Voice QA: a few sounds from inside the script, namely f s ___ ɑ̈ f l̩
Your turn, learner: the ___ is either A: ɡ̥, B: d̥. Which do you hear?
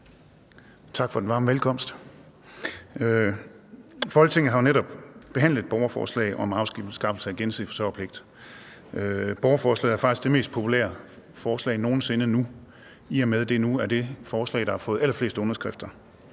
A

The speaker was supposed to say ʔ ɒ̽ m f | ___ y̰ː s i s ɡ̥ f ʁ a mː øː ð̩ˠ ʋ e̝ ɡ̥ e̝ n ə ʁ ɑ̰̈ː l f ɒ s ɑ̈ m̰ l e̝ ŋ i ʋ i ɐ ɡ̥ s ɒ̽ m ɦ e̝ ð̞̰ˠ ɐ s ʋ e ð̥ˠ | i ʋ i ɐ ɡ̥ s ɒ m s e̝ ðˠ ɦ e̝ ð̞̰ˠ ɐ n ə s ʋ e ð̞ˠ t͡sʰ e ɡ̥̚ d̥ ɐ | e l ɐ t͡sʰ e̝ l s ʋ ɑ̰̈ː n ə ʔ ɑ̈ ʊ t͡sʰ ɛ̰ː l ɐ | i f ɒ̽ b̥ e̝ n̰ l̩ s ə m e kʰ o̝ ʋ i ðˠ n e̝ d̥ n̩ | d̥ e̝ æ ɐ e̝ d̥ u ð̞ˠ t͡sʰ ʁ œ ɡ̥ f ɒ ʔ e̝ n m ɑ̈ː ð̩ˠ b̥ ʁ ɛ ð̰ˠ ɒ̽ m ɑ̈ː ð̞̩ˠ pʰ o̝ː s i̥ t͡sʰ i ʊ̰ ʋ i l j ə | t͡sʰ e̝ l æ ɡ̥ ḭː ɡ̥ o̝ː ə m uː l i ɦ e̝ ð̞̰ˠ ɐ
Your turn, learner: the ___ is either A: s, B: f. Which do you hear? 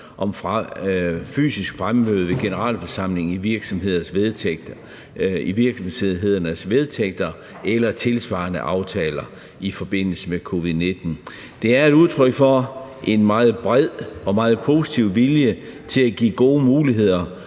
B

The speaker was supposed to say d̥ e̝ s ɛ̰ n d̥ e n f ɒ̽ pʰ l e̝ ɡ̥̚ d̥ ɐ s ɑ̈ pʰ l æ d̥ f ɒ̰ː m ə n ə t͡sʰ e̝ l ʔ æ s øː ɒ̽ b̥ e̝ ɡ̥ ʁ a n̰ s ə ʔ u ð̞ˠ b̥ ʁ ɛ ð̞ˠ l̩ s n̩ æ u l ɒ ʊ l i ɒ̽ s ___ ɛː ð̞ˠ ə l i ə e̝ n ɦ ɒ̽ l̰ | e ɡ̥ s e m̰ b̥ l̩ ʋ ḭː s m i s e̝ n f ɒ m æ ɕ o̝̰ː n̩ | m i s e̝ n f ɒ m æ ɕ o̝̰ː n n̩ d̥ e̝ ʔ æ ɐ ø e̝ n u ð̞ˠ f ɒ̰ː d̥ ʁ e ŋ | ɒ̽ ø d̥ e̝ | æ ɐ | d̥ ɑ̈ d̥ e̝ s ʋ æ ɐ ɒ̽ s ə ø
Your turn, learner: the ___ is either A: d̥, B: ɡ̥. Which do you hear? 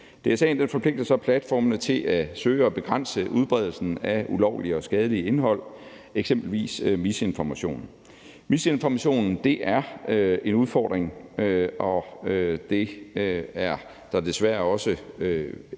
B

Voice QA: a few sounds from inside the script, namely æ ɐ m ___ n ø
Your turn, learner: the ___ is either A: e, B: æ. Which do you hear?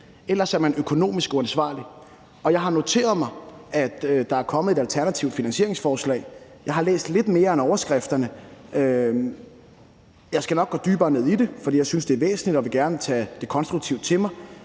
B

